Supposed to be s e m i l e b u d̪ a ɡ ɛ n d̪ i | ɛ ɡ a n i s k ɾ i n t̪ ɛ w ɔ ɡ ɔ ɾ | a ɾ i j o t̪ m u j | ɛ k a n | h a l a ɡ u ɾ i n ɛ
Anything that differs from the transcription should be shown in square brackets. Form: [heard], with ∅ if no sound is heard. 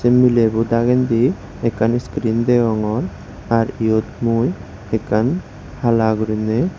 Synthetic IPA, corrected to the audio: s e m i l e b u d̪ a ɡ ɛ n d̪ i | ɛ [k] a n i s k ɾ i n [d̪] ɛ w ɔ [ŋ] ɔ ɾ | a ɾ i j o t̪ m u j | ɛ k a n | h a l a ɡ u ɾ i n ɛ

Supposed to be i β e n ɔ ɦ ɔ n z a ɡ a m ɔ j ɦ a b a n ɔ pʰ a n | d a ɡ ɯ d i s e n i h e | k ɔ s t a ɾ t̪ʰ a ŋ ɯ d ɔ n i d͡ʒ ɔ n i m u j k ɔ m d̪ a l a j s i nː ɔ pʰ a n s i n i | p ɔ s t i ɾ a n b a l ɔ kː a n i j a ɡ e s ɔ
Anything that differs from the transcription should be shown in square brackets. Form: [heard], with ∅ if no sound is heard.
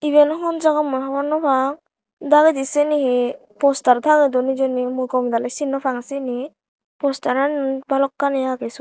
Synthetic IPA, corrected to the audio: i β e n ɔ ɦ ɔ n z a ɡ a m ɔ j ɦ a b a n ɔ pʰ a [ŋ] | d a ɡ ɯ d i s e n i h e | [p] ɔ s t a ɾ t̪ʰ a ŋ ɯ d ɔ n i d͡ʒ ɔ n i m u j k ɔ m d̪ a l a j s i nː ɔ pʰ a [ŋ] s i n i | p ɔ s t [a] ɾ a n b a l ɔ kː a n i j a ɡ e s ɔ

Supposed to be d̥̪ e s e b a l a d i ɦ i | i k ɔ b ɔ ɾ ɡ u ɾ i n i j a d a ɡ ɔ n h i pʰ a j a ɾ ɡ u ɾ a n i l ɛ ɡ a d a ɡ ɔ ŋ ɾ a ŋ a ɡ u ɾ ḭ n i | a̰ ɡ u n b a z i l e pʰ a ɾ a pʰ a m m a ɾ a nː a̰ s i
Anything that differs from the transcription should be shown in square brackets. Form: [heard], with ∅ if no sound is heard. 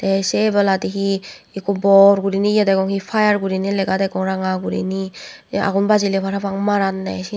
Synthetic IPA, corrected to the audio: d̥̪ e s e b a l a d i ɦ i | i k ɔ b ɔ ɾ ɡ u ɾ i n i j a d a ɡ ɔ [ŋ] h i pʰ a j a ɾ ɡ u ɾ [i] n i l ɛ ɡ a d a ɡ ɔ ŋ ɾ a ŋ a ɡ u ɾ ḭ n i | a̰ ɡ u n b a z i l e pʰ a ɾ a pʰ a [ŋ] m a ɾ a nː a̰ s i

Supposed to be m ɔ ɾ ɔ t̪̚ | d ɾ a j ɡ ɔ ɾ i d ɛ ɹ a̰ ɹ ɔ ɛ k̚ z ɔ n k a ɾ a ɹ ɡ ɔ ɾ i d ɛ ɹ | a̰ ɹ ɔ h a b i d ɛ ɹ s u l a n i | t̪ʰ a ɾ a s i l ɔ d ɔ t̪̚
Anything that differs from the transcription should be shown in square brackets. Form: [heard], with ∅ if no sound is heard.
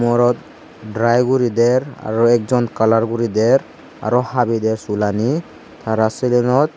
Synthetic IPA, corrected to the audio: m ɔ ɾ ɔ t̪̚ | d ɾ a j ɡ [u] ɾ i d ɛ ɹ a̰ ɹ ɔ ɛ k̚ z ɔ n k a [l] a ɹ ɡ [u] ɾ i d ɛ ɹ | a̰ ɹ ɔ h a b i d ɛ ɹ s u l a n i | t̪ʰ a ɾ a s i l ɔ [n] ɔ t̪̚

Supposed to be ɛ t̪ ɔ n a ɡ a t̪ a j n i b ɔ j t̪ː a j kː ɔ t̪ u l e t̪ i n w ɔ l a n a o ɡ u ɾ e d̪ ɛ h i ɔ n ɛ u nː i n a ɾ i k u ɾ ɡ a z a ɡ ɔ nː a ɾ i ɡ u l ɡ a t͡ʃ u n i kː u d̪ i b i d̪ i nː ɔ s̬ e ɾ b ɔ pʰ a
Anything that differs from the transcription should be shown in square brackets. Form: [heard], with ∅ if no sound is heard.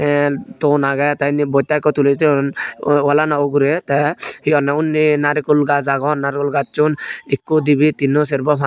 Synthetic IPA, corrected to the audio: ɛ t̪ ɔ n a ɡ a t̪ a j n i b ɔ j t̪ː a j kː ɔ t̪ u l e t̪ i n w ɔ l a n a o ɡ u ɾ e [t̪] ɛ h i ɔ n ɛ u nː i n a ɾ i k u [l] ɡ a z a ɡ ɔ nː a ɾ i [k] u l ɡ a t͡ʃ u n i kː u d̪ i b i [t̪] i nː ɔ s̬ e ɾ b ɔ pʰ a

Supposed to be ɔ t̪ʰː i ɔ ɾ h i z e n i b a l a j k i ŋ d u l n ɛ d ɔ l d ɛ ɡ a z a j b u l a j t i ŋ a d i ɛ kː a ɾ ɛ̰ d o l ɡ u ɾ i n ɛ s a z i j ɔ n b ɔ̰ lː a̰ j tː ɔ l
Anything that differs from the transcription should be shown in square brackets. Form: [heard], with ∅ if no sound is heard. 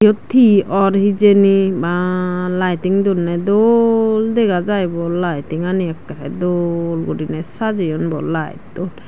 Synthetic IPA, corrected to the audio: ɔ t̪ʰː i ɔ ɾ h i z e n i b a l a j [t] i ŋ d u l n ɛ d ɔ l d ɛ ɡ a z a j b [ɔ] l a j t i ŋ a [n] i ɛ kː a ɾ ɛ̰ d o l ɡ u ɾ i n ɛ s a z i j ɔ n b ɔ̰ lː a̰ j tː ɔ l

